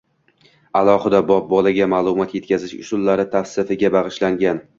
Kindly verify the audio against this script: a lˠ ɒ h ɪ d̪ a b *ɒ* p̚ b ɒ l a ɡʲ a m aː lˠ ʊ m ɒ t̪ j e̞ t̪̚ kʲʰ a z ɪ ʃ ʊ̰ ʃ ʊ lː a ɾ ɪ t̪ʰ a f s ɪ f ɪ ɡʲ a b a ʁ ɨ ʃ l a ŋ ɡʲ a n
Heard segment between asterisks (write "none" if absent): ɒ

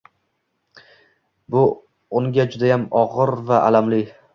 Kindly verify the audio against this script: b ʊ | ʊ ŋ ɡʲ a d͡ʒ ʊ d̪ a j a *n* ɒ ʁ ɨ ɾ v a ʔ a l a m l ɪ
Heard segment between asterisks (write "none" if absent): m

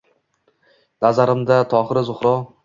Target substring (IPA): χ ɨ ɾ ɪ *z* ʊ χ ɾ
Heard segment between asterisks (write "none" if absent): z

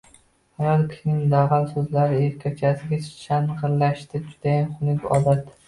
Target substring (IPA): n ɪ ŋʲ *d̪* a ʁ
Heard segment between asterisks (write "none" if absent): d̪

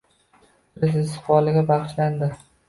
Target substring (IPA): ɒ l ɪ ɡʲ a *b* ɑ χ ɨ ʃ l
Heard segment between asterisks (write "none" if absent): b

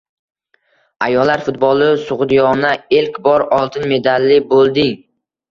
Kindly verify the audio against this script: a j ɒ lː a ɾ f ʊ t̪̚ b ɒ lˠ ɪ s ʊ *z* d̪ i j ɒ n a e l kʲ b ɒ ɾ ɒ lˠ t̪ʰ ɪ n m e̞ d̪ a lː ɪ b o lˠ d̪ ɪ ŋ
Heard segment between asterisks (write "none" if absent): ʁ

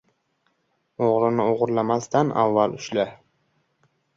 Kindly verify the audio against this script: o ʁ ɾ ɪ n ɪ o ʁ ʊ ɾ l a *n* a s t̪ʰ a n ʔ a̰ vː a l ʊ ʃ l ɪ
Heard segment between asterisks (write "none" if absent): m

